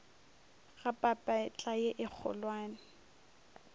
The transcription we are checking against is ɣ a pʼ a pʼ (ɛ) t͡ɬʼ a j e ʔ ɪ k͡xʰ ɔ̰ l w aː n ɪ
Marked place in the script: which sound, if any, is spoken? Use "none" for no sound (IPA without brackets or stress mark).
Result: a